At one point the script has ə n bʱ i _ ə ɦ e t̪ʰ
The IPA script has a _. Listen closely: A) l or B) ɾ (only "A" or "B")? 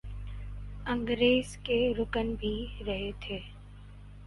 B